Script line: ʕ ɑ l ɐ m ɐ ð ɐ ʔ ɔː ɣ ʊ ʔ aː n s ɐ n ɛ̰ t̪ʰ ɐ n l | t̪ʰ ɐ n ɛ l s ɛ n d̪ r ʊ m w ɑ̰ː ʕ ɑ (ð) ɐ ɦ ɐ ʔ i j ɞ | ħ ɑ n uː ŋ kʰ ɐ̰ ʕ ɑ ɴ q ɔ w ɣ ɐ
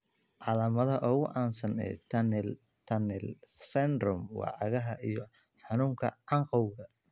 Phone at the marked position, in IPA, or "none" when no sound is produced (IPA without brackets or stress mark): ɣ